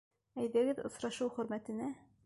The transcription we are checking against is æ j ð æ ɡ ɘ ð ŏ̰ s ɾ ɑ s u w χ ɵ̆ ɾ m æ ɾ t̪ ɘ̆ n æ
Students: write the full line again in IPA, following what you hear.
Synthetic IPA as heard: æ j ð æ ɡ ɘ ð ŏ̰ s ɾ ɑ ʃ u w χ ɵ̆ ɾ m æ t̪ ɘ̆ n æ